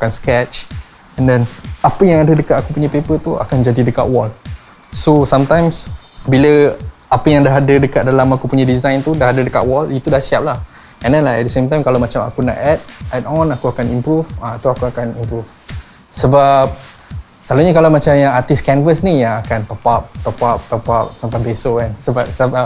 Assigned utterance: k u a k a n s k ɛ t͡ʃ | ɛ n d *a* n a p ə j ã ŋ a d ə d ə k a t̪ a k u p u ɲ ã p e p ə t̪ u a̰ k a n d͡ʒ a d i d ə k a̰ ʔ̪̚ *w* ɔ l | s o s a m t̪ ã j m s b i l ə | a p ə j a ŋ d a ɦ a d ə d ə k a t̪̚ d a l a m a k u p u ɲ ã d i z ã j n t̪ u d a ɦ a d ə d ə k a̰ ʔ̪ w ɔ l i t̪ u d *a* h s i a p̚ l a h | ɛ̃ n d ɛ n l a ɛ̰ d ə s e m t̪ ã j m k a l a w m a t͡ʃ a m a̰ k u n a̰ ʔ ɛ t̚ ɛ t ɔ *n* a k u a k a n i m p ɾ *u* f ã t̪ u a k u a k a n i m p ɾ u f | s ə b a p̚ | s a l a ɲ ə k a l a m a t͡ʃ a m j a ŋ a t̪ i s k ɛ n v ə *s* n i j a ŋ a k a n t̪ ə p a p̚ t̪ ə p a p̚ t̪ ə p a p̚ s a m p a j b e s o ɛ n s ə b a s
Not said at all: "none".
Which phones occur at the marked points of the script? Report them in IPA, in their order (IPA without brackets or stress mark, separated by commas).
ɛ, w, a, n, u, s